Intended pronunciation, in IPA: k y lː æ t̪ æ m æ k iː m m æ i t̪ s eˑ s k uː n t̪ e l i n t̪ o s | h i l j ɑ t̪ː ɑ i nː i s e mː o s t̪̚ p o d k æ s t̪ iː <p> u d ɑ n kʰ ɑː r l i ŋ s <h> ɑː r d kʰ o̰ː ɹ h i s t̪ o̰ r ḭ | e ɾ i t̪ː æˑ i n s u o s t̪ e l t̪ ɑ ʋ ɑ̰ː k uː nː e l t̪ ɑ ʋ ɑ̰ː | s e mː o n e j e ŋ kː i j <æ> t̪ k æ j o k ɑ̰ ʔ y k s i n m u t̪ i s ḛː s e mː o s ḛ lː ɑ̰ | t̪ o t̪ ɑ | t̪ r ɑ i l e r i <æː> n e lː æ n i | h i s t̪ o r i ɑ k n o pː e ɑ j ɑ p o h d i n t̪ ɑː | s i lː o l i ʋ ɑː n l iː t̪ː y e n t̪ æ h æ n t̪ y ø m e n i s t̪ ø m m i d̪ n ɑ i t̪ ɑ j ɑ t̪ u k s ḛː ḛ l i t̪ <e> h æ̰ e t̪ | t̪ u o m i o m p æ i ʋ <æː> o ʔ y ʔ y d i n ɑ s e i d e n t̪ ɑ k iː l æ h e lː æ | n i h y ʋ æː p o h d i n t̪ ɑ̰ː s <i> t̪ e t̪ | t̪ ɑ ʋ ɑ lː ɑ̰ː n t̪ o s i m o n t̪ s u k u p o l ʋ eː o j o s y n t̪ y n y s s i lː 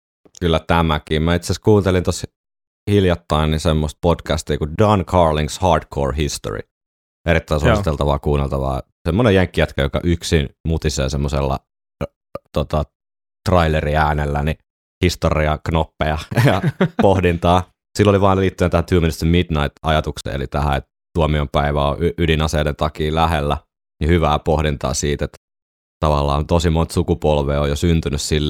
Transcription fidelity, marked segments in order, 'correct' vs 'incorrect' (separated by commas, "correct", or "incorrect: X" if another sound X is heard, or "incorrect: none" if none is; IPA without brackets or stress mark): incorrect: k, correct, correct, correct, incorrect: æ, incorrect: æ, incorrect: iː